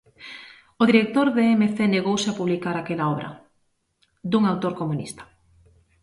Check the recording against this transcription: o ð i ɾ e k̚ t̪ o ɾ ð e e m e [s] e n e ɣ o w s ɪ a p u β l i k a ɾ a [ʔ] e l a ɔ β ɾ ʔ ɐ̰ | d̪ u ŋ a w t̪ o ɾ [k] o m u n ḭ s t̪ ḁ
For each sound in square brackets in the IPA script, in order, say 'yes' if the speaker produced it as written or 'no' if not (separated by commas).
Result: no, no, yes